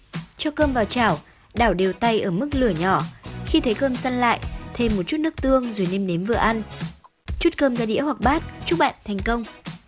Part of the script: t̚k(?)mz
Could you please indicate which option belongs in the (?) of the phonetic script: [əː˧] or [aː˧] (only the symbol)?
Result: əː˧